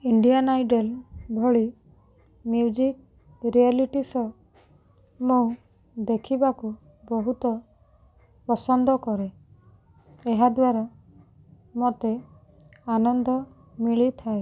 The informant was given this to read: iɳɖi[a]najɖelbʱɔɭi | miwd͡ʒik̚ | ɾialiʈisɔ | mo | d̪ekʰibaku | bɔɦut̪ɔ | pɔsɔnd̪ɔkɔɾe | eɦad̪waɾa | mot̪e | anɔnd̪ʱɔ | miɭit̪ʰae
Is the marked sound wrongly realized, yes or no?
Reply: no